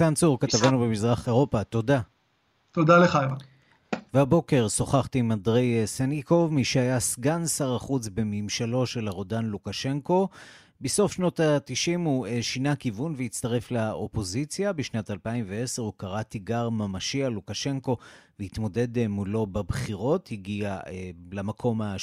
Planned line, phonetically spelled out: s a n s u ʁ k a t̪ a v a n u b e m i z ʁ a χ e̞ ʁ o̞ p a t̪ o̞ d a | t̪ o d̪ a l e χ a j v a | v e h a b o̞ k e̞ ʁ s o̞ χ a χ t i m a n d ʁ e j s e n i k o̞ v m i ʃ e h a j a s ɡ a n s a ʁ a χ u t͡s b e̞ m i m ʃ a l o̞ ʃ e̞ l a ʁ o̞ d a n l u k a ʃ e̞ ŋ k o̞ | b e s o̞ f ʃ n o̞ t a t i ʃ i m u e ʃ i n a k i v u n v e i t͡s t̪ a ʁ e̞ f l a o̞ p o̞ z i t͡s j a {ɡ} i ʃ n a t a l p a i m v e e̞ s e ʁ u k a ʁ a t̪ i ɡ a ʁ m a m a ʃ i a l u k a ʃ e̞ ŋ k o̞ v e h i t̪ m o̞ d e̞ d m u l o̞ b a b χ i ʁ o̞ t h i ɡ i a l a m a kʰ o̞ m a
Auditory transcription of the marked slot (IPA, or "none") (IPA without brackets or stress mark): b